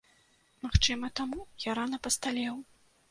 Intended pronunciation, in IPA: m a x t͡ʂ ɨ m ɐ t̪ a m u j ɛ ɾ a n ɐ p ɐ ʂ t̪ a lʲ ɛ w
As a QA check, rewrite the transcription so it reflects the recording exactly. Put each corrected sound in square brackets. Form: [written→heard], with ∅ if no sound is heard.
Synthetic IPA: m a x t͡ʂ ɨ m ɐ t̪ a m u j [ɛ→a] ɾ a n ɐ p ɐ [ʂ→s] t̪ a lʲ ɛ w